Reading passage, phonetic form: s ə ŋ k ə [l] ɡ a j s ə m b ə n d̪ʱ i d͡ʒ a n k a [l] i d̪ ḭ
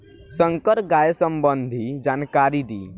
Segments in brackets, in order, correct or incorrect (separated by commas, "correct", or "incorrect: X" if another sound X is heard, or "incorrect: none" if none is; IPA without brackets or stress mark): incorrect: ɾ, incorrect: ɾ